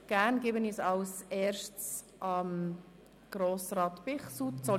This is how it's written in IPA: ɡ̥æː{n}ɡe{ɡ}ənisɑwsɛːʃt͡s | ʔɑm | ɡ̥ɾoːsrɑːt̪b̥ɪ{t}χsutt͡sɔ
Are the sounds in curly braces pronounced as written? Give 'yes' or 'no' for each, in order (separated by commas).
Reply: yes, no, no